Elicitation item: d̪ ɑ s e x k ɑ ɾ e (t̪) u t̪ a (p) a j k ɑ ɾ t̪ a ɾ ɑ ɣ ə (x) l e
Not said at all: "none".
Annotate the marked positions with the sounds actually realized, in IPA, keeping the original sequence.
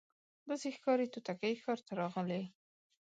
t̪, k, none

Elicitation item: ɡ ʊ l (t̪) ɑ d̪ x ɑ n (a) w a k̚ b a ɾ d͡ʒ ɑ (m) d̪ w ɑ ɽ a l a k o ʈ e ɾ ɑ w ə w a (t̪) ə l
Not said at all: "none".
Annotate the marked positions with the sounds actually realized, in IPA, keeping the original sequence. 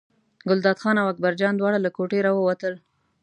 d̪, a, n, t̪

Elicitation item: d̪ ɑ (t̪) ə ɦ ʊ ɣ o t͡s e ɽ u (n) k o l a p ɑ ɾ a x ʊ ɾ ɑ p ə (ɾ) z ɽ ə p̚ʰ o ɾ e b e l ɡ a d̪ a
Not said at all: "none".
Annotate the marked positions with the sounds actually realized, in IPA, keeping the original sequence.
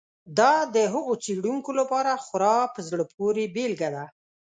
d̪, ŋ, none

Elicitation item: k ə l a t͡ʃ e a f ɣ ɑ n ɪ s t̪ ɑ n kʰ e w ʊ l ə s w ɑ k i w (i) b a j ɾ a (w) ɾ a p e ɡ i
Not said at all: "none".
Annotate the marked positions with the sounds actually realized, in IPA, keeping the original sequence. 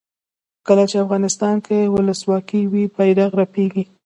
i, ɣ

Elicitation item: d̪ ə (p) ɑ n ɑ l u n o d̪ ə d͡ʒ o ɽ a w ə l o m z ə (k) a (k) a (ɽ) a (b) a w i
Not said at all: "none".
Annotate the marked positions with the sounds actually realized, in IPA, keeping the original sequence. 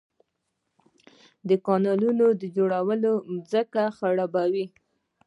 k, k, x, ɽ, b

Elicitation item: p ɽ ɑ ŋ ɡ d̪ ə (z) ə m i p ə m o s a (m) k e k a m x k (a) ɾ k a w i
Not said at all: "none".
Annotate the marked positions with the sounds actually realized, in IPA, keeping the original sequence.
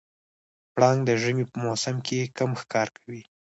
ʒ, m, ɑ

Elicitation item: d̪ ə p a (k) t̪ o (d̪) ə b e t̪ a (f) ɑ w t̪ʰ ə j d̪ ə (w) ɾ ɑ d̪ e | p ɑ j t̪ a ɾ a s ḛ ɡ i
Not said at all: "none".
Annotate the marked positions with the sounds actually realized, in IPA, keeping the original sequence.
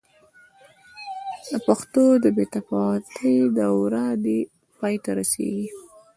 x, d̪, f, w

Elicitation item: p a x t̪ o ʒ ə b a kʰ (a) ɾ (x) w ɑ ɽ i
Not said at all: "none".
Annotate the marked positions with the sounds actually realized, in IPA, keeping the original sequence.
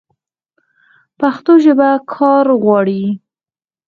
ɑ, ɣ

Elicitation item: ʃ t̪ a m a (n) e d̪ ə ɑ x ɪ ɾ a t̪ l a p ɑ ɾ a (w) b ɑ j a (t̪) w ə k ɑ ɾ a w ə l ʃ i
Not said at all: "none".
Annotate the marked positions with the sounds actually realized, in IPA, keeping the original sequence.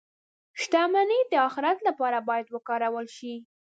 n, none, d̪

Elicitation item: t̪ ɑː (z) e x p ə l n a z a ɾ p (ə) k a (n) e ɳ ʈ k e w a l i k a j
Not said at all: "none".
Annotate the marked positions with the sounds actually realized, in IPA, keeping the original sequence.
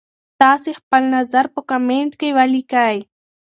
s, ə, m

